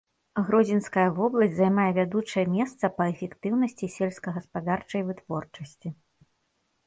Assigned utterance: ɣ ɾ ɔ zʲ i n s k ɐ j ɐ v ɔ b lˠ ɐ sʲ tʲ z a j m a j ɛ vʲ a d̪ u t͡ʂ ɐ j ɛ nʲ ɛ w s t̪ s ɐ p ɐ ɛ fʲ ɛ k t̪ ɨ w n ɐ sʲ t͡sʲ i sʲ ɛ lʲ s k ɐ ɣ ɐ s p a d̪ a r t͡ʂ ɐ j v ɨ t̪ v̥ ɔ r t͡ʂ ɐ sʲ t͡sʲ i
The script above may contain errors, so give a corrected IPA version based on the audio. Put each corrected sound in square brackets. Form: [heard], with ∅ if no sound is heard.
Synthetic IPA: ɣ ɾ ɔ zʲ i n s k ɐ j ɐ v ɔ b lˠ ɐ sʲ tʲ z a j m a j ɛ vʲ a d̪ u t͡ʂ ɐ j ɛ [mʲ] ɛ [∅] s t̪ s ɐ p ɐ ɛ fʲ ɛ k t̪ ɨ w n ɐ sʲ t͡sʲ i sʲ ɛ lʲ s k ɐ ɣ ɐ s p a d̪ a r t͡ʂ ɐ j v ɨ t̪ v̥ ɔ r t͡ʂ ɐ sʲ t͡sʲ i